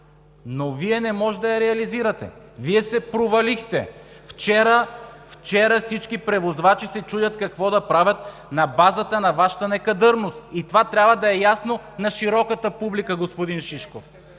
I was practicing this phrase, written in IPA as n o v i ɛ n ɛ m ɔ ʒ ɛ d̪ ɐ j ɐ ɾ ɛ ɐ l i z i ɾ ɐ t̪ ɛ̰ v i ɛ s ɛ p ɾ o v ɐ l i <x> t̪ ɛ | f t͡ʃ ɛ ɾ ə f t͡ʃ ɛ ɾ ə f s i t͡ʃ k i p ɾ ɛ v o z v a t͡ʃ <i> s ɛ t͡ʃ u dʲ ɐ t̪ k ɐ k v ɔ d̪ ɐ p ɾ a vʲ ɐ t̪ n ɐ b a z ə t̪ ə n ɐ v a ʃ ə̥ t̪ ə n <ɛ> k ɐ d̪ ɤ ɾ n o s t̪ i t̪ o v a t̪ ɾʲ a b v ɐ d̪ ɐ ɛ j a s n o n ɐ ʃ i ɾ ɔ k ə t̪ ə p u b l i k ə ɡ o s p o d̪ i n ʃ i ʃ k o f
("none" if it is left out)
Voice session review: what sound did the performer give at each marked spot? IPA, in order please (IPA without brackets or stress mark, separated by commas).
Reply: x, i, ɛ